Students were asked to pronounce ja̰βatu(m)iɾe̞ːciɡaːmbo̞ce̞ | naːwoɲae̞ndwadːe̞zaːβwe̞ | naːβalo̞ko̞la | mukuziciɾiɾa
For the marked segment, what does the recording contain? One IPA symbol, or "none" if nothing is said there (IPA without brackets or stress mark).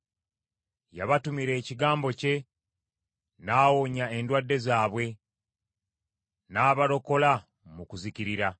m